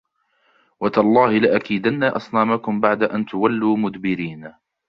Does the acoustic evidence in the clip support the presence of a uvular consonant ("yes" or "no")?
no